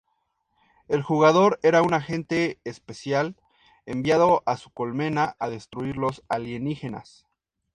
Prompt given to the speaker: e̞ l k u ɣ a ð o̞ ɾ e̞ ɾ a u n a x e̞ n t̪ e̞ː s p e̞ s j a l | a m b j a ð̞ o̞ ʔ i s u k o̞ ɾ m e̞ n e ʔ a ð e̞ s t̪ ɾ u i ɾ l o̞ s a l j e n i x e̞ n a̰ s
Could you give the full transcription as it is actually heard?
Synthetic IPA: e̞ l x u ɣ a ð o̞ ɾ e̞ ɾ a u n a x e̞ n t̪ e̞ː s p e̞ s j a l | e m b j a ð̞ o̞ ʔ a s u k o̞ l m e̞ n a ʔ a ð e̞ s t̪ ɾ u i ɾ l o̞ s a l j e n i x e̞ n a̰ s

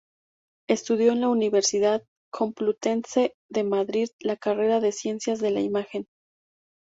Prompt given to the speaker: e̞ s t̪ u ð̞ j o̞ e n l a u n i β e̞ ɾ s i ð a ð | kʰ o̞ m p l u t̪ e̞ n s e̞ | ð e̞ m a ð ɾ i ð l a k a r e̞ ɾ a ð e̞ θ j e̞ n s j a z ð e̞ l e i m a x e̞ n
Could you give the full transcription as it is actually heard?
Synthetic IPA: e̞ s t̪ u ð̞ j o̞ e n l a u n i β e̞ ɾ s i ð a ð | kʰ o̞ m p l u t̪ e̞ n s e̞ | ð e̞ m a ð ɾ i ð l a k a r e̞ ɾ a ð e̞ s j e̞ n s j a z ð e̞ l a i m a x e̞ n

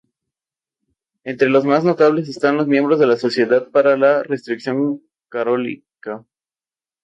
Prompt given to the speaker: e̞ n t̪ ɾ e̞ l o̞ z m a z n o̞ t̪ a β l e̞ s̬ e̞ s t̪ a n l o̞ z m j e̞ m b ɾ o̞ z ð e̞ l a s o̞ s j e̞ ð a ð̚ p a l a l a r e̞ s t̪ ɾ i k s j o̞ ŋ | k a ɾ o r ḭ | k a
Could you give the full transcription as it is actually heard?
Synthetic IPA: e̞ n t̪ ɾ e̞ l o̞ z m a z n o̞ t̪ a β l e̞ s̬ e̞ s t̪ a n l o̞ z m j e̞ m b ɾ o̞ z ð e̞ l a s o̞ s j e̞ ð a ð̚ p a ɾ a l a r e̞ s t̪ ɾ i k s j o̞ ŋ | k a ɾ o l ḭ | k a

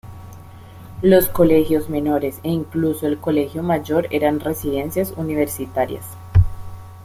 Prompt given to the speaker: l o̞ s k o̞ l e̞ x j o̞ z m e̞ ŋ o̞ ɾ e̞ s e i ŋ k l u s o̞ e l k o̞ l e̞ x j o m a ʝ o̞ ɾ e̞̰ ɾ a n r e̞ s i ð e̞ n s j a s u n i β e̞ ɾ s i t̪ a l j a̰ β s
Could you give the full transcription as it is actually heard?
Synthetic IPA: l o̞ s k o̞ l e̞ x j o̞ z m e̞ n o̞ ɾ e̞ s e i ŋ k l u s o̞ e l k o̞ l e̞ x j o m a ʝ o̞ ɾ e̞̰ ɾ a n r e̞ s i ð e̞ n s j a s u n i β e̞ ɾ s i t̪ a ɾ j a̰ s

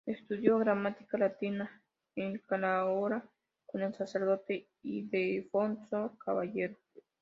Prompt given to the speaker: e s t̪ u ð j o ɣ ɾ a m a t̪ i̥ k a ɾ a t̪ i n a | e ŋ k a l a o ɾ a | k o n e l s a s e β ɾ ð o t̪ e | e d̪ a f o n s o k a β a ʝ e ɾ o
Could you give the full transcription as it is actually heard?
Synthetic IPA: e s t̪ u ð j o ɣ ɾ a m a t̪ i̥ k a l a t̪ i n a | e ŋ k a l a o ɾ a | k o n e l s a s e ɾ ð o t̪ e | i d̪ e f o n s o k a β a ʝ e ɾ o

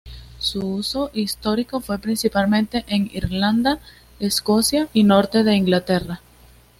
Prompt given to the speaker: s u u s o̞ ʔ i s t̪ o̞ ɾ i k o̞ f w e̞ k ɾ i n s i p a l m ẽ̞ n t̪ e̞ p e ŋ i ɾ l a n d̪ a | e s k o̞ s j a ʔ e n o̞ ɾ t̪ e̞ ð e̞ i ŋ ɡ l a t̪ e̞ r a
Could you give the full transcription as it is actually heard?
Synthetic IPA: s u u s o̞ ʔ i s t̪ o̞ ɾ i k o̞ f w e̞ p ɾ i n s i p a l m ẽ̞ n t̪ e̞ ʔ e ŋ i ɾ l a n d̪ a | e s k o̞ s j a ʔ i n o̞ ɾ t̪ e̞ ð e̞ i ŋ ɡ l a t̪ e̞ r a

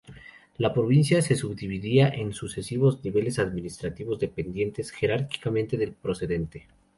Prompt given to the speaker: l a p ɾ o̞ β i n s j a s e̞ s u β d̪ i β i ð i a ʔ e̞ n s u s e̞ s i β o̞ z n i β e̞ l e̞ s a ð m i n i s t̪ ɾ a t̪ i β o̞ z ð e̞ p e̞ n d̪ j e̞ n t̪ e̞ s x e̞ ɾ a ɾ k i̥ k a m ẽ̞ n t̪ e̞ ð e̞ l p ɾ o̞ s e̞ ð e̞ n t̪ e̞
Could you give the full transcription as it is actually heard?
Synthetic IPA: l a p ɾ o̞ β i n s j a s e̞ s u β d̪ i β i ð i a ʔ e̞ n s u s e̞ s i β o̞ z n i β e̞ l e̞ s a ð m i n i s t̪ ɾ a t̪ i β o̞ z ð e̞ p e̞ n d̪ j e̞ n t̪ e̞ s x e̞ ɾ a ɾ k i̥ k a m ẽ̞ n t̪ e̞ ð e̞ l p ɾ o̞ s e̞ ð e̞ n t̪ e̞

